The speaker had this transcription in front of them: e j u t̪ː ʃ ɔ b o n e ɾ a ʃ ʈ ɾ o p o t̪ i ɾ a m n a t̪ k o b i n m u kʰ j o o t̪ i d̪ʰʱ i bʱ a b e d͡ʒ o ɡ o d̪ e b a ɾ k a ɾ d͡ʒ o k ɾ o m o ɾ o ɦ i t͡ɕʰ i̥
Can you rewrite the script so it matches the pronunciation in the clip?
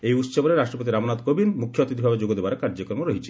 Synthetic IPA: e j u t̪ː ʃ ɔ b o n e ɾ a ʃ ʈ ɾ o p o t̪ i ɾ a m n a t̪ k o b i n m u kʰ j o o t̪ i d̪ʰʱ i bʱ a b e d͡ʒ o ɡ o d̪ e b a ɾ k a ɾ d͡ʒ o k ɾ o m o ɾ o ɦ i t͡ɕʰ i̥